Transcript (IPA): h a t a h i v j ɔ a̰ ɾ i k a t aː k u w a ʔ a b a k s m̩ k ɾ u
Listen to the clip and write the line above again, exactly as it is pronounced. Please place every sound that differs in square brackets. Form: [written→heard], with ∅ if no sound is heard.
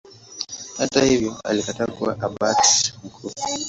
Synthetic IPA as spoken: h a t a h i v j ɔ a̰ [ɾ→l] i k a t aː k u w a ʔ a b a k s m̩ k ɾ u